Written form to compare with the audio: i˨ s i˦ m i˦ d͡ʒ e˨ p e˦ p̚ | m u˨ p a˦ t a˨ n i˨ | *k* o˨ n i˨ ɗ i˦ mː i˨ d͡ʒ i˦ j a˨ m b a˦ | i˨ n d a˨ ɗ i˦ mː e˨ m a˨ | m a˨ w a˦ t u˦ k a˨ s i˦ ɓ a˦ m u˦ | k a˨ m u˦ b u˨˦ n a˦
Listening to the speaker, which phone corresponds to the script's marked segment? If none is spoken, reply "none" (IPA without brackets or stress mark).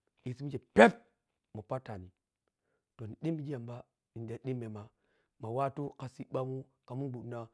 t